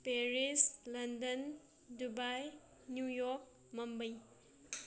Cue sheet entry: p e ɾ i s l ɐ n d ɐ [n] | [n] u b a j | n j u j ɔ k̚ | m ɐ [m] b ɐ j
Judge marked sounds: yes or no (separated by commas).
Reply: yes, no, yes